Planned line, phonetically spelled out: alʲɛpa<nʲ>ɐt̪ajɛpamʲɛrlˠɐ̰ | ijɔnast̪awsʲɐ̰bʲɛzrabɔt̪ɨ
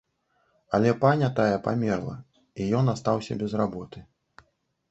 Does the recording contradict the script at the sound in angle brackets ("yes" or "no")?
no